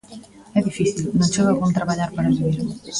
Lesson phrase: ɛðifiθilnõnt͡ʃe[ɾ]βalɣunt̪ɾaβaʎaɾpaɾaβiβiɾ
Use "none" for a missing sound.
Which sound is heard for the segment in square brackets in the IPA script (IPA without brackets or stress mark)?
none